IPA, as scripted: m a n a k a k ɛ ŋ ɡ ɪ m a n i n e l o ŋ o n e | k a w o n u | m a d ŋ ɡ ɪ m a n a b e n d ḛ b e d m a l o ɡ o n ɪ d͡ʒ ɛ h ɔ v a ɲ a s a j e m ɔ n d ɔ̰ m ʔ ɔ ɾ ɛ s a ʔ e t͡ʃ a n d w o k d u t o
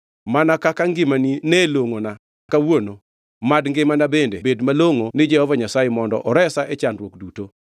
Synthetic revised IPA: m a n a k a k a ŋ ɡ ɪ m a n i n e l o ŋ o n a | k a w o n o | m a d ŋ ɡ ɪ m a n a b e n d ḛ b e d m a l o ŋ o n ɪ d͡ʒ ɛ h ɔ v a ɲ a s a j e m ɔ n d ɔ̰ ʔ ɔ ɾ ɛ s a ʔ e t͡ʃ a n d w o k d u t o